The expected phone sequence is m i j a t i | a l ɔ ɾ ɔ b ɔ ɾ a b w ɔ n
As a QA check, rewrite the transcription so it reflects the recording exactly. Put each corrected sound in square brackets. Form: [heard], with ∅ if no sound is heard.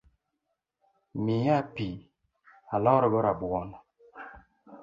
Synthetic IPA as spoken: m i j a [p] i | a l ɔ ɾ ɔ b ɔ ɾ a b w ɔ n

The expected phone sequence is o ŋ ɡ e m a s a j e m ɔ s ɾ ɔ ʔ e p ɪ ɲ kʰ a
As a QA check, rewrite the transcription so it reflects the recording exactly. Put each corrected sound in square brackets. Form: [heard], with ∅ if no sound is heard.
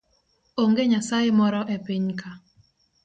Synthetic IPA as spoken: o ŋ ɡ e [ɲ] a s a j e m ɔ [∅] ɾ ɔ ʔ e p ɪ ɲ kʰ a

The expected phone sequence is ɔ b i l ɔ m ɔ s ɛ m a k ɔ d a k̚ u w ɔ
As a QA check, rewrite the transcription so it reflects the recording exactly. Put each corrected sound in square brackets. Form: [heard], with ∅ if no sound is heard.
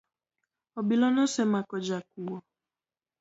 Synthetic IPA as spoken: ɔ b i l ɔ [n] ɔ s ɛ m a k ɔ [d͡ʒ] a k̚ u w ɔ

